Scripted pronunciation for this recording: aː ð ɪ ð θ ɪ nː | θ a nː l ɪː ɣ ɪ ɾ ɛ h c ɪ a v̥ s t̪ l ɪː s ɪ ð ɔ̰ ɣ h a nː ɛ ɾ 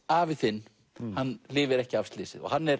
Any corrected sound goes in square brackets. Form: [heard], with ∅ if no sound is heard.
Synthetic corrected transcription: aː [v] ɪ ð θ ɪ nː | [h] a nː l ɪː [v] ɪ ɾ ɛ h c ɪ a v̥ s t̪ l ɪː s ɪ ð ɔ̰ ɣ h a nː ɛ ɾ

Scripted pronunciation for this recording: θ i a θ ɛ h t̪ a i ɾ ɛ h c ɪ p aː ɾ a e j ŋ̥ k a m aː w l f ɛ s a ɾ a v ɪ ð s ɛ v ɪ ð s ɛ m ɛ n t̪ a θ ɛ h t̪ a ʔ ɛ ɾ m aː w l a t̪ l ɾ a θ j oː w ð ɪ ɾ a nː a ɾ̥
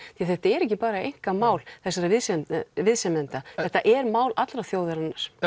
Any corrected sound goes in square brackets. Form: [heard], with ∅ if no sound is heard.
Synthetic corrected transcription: θ i a θ ɛ h t̪ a [ɛ] ɾ ɛ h c ɪ p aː ɾ a e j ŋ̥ k a m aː w l [θ] ɛ s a ɾ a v ɪ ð s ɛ v ɪ ð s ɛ m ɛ n t̪ a θ ɛ h t̪ a ʔ ɛ ɾ m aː w l a t̪ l ɾ a θ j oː w ð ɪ ɾ a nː a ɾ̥

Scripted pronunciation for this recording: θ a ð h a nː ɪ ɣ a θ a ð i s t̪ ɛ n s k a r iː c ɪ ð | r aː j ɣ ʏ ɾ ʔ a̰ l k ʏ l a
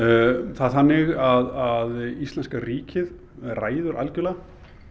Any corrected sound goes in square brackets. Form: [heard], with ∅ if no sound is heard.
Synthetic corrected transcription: θ a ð [θ] a nː ɪ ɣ a [ð] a ð i s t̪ ɛ n s k a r iː c ɪ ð | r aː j [ð] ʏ ɾ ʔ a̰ l [c] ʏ l a

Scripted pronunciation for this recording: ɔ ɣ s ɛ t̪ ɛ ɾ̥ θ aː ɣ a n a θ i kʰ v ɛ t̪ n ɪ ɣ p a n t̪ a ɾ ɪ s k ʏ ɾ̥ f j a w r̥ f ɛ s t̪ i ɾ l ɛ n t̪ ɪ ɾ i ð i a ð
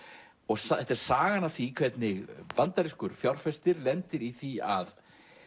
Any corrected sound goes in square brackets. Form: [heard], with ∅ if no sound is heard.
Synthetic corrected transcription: ɔ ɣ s ɛ t̪ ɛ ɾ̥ [s] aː ɣ a n a θ i kʰ v ɛ t̪ n ɪ ɣ p a n t̪ a ɾ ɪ s k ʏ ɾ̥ f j a w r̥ f ɛ s t̪ [ɪ] ɾ l ɛ n t̪ ɪ ɾ i [θ] i a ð

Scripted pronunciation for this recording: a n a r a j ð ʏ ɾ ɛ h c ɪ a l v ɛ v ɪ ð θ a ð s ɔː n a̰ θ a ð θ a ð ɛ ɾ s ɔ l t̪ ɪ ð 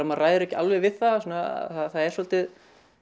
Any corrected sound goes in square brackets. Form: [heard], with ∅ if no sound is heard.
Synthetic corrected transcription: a [m] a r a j ð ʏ ɾ ɛ h c ɪ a l v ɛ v ɪ ð θ a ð s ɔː n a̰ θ a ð θ a ð ɛ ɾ s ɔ l t̪ ɪ ð

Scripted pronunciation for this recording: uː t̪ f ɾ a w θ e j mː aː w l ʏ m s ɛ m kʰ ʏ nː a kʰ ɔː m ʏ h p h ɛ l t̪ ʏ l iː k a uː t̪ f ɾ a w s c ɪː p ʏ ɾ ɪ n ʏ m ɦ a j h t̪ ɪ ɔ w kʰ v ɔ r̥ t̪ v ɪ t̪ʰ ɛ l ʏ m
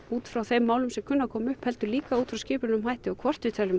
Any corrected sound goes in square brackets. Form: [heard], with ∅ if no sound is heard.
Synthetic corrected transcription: uː t̪ f ɾ a w θ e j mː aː w l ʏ m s ɛ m kʰ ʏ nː a kʰ ɔː m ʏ h p h ɛ l t̪ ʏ l iː k a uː t̪ f ɾ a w s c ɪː p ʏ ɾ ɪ n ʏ m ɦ a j h t̪ ɪ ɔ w kʰ v ɔ r̥ t̪ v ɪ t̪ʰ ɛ l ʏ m

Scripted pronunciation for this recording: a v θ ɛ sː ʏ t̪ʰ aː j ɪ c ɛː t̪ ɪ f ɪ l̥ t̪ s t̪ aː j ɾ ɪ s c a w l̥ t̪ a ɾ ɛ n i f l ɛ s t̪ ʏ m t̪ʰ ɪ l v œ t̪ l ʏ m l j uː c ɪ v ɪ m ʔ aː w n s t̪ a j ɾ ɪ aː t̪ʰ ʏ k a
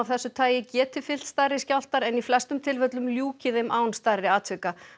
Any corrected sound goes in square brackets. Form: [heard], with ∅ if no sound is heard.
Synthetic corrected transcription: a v θ ɛ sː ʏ t̪ʰ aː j ɪ c ɛː t̪ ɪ f ɪ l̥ t̪ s t̪ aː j ɾ ɪ s c a w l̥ t̪ a ɾ ɛ n i f l ɛ s t̪ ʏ m t̪ʰ ɪ l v œ t̪ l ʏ m l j uː c ɪ [ð] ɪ m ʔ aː w n s t̪ a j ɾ ɪ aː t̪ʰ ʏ k a

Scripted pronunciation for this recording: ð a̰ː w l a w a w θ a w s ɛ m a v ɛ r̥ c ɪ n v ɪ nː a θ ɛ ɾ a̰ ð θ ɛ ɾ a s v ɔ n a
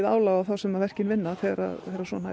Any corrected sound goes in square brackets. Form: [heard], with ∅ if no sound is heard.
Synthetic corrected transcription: ð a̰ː w l a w a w θ a w s ɛ m a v ɛ r̥ c ɪ n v ɪ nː a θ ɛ ɾ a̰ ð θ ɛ ɾ a s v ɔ n a

